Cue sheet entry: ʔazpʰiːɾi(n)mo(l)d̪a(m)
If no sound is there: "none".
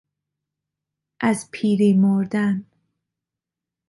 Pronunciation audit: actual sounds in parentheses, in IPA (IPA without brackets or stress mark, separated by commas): none, ɾ, n